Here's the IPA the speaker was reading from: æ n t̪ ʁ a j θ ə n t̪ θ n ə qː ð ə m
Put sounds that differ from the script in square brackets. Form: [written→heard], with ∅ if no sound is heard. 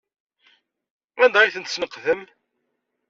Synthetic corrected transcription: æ n [t̪→d̪] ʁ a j θ ə n t̪ [θ→s] n ə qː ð ə m